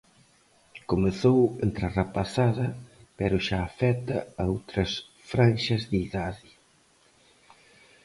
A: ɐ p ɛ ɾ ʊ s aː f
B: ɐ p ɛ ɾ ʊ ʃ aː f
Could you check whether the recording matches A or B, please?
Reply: B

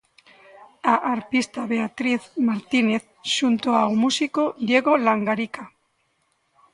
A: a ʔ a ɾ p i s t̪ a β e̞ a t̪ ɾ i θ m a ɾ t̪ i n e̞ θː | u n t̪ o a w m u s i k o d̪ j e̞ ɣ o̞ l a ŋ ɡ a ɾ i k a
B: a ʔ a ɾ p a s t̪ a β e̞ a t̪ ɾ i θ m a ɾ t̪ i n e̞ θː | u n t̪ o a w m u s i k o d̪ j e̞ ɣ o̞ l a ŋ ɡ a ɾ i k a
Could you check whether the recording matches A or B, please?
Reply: A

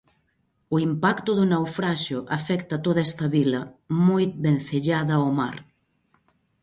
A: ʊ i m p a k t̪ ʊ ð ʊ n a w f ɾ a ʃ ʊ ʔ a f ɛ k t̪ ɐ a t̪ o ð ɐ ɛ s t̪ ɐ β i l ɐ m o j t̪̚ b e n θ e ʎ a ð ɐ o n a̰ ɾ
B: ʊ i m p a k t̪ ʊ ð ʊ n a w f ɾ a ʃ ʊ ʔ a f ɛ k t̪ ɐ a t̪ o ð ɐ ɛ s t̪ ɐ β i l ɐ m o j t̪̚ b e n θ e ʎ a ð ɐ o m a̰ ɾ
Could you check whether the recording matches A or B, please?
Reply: B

